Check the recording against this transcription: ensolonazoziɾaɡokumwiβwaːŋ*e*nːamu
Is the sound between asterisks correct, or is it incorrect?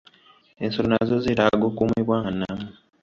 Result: incorrect: a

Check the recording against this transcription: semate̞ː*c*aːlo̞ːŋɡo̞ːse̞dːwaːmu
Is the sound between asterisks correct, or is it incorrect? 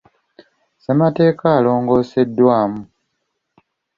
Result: incorrect: k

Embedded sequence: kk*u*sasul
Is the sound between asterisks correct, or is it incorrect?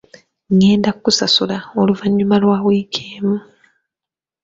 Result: correct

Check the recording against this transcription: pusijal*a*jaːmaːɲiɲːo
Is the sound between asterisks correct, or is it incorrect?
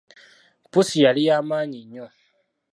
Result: incorrect: i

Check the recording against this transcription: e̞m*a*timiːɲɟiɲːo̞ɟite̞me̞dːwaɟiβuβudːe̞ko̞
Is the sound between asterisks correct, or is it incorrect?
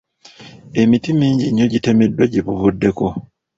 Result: incorrect: i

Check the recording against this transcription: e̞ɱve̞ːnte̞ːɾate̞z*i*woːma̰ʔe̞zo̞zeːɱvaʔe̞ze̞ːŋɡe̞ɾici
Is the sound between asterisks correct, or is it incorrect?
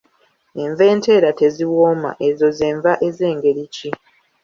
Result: correct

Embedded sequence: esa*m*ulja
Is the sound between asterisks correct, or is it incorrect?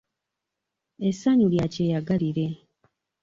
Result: incorrect: ɲ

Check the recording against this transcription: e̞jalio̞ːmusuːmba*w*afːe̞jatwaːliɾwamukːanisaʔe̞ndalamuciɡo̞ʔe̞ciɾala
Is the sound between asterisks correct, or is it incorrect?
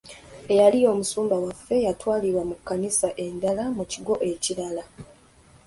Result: correct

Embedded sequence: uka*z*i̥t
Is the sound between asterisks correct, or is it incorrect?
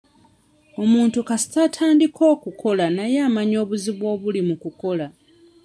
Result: incorrect: s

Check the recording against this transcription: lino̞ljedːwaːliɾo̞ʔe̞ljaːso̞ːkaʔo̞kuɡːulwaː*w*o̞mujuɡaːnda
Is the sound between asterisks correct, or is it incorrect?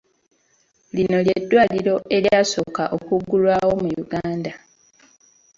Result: correct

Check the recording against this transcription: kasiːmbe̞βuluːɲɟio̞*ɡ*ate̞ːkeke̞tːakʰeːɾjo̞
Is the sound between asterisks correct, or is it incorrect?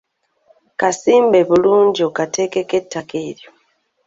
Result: incorrect: k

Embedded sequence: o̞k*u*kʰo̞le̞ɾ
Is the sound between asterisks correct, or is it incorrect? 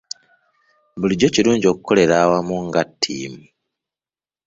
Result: correct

